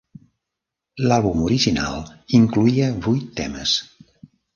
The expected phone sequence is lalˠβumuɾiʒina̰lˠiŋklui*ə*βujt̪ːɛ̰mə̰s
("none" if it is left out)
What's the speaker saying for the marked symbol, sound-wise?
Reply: ə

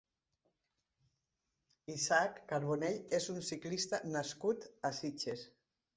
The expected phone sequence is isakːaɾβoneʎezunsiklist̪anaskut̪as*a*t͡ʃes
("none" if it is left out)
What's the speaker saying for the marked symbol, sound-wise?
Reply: i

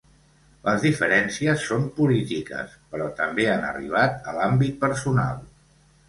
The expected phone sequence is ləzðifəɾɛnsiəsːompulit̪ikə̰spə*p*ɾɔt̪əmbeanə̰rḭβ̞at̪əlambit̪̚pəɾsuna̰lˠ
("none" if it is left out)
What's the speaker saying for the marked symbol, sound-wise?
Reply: none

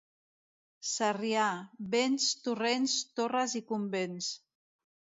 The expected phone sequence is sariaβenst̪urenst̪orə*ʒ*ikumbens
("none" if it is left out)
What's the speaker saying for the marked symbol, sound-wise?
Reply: z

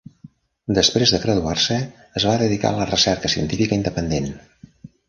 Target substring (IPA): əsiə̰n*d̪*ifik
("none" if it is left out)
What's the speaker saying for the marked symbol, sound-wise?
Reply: t̪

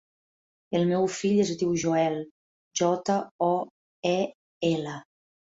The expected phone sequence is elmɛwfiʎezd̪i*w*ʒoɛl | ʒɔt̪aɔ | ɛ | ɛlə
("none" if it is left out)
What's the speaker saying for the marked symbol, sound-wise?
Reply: w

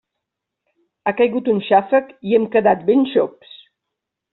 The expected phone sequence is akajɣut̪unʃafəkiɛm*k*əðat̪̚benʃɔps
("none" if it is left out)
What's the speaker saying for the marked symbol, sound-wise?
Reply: k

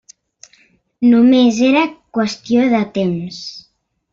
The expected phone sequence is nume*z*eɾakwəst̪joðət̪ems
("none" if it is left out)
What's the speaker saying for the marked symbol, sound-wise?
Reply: z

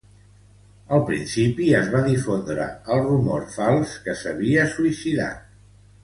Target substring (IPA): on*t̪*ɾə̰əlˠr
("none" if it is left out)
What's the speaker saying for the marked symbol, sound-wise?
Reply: d̪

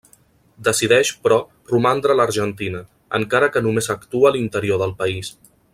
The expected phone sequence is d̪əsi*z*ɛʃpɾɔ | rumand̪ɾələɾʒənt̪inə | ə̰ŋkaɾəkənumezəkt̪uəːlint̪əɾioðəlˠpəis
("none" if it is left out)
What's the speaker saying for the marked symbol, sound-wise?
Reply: ð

